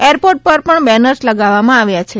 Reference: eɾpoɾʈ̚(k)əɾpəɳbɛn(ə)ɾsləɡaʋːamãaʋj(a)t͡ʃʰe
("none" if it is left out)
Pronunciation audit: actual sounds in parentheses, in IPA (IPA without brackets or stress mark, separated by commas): p, ə, a